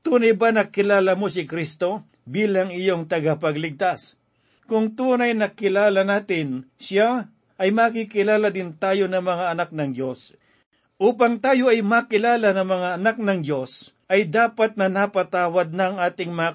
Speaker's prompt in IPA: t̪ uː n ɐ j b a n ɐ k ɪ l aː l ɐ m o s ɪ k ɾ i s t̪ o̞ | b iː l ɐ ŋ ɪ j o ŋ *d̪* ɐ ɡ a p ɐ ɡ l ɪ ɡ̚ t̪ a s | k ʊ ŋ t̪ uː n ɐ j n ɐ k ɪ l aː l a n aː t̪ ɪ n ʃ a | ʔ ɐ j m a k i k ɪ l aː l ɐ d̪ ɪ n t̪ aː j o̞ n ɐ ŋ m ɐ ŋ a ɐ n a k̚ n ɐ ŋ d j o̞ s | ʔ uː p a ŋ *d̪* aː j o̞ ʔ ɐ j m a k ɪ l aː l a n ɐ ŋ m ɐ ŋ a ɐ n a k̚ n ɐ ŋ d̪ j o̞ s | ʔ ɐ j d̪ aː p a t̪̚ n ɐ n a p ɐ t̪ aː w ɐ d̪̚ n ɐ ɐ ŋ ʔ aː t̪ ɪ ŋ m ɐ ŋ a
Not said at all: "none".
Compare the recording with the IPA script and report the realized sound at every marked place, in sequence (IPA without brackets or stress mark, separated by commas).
t̪, t̪